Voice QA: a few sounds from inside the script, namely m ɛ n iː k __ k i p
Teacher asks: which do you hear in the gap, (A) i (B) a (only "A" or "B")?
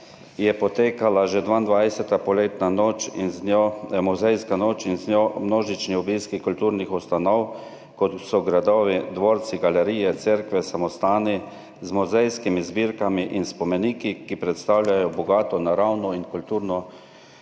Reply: A